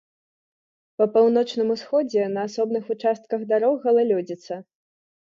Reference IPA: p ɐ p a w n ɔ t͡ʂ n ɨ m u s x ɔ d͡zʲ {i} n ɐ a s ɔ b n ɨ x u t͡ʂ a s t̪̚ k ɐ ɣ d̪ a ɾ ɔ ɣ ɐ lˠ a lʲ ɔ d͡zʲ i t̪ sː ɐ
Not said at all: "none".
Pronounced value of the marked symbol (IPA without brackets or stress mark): ɛ